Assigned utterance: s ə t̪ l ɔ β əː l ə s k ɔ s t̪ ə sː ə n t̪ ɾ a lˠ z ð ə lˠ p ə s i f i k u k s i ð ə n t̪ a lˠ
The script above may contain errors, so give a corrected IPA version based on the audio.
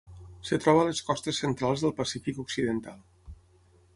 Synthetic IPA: s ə t̪ ɾ ɔ β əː l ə s k ɔ s t̪ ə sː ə n t̪ ɾ a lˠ z ð ə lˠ p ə s i f i k u k s i ð ə n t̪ a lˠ